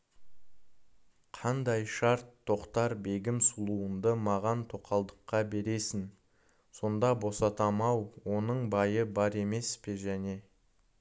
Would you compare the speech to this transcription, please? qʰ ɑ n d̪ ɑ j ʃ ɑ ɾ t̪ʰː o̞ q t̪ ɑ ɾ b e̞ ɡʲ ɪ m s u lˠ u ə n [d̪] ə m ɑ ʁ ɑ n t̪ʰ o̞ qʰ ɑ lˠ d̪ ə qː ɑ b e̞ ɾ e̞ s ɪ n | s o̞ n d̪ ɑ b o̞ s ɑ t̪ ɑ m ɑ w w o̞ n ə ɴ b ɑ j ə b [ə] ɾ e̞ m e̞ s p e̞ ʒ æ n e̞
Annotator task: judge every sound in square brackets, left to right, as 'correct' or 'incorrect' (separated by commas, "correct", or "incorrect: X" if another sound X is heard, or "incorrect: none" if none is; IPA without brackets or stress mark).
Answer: correct, incorrect: ɑ